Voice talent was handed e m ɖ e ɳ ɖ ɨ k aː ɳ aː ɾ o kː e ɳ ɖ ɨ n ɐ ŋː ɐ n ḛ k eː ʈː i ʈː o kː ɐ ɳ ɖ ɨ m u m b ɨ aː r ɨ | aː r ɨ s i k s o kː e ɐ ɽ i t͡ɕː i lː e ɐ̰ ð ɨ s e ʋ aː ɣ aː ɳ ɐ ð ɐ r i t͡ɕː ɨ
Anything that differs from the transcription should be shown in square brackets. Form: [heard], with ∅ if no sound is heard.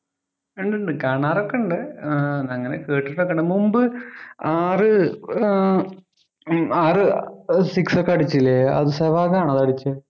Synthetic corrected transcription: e [ɳ] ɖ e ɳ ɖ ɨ k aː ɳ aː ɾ o kː e ɳ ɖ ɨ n ɐ ŋː ɐ n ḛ k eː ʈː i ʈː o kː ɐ ɳ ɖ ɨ m u m b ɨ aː r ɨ | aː r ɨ s i k s o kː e ɐ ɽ i t͡ɕː i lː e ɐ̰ ð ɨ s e ʋ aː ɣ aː ɳ ɐ ð ɐ [ɽ] i t͡ɕː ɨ